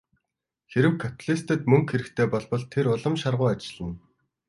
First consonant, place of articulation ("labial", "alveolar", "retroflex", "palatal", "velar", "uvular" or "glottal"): velar